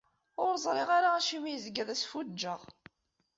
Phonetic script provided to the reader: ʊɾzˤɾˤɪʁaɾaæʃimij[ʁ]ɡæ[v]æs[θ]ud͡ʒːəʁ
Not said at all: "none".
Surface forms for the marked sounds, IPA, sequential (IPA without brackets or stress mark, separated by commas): z, ð, f